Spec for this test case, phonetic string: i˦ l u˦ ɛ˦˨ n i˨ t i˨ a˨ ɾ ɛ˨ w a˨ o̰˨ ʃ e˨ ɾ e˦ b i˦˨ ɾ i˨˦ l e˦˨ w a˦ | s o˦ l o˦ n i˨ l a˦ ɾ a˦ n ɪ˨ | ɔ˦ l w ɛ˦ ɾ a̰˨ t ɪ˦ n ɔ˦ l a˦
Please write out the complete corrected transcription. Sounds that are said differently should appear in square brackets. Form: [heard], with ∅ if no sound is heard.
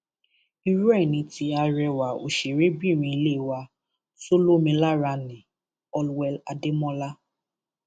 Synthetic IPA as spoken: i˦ [ɾ] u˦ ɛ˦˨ n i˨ t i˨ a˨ ɾ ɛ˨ w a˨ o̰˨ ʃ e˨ ɾ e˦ b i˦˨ ɾ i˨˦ l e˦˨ w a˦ | s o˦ l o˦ [m] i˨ l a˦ ɾ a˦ n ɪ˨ | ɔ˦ l w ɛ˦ [l] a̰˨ [d] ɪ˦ [m] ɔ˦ l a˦